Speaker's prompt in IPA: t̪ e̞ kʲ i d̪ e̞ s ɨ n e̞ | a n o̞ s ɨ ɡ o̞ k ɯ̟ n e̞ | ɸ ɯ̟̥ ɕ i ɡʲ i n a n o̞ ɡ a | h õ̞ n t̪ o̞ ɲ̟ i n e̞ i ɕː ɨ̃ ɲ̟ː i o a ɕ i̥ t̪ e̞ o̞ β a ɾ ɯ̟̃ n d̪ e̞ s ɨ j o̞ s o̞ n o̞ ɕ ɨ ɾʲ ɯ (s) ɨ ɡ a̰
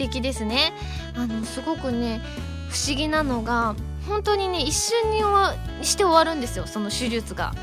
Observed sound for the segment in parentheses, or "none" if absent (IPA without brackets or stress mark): t͡s